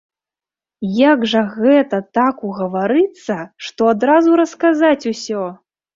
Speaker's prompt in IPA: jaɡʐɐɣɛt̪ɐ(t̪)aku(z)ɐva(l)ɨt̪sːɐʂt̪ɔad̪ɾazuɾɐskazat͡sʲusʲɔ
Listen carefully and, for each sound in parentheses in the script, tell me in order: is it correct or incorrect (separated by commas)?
correct, incorrect, incorrect